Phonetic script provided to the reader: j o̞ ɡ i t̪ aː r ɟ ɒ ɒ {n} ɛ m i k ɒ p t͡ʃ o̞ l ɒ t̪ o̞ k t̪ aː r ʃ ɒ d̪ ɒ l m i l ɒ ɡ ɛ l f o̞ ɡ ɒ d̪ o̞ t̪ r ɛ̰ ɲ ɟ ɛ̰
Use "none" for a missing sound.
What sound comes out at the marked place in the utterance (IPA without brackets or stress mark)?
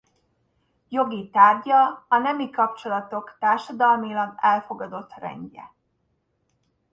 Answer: n